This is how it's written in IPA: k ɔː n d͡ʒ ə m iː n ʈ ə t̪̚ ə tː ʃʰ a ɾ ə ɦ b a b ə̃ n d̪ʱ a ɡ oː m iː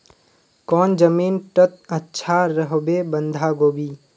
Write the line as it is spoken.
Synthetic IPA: k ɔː n d͡ʒ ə m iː n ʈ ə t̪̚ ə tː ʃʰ a ɾ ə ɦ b e b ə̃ n d̪ʱ a ɡ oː b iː